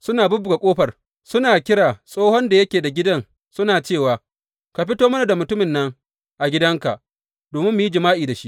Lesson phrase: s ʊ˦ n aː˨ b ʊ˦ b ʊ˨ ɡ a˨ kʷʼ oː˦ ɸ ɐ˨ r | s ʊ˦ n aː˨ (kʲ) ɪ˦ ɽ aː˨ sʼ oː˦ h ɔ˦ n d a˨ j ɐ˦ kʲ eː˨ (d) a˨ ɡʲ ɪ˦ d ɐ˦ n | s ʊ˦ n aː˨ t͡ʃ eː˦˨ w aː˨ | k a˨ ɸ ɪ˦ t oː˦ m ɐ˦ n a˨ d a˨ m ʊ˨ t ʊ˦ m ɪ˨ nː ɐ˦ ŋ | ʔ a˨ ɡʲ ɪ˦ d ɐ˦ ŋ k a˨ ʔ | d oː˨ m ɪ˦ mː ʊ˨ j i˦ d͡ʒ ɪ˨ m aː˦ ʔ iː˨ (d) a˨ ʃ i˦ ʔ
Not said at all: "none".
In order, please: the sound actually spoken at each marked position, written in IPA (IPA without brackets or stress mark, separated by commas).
kʲ, d, d